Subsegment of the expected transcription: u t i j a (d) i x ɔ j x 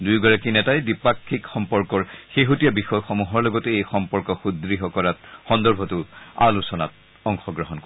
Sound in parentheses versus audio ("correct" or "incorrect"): incorrect